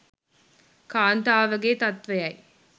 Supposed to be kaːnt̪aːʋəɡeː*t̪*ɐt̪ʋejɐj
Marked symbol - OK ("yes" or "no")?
yes